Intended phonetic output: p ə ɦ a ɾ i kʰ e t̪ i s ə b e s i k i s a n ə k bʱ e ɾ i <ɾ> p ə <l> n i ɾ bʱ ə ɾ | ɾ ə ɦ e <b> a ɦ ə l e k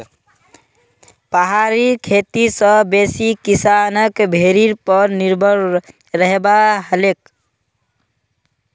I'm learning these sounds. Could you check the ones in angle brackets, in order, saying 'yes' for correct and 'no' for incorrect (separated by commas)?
yes, no, yes